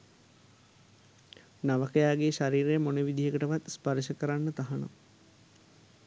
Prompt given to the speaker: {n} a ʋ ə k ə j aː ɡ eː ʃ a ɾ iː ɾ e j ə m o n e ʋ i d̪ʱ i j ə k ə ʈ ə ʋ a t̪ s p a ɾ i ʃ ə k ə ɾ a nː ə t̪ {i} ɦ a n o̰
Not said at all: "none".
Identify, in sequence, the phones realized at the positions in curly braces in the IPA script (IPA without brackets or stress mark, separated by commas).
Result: n, a